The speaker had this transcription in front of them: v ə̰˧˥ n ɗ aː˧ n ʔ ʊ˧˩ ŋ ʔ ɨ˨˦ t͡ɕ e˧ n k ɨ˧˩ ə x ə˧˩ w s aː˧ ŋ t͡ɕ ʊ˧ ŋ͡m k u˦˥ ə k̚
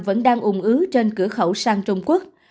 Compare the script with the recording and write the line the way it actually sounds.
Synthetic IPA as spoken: v ə̰˧˥ n ɗ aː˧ ŋ ʔ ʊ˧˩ ŋ͡m ʔ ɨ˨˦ t͡ɕ e˧ n k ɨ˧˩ ə x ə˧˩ w s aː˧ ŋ t͡ɕ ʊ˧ ŋ͡m k u˦˥ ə k̚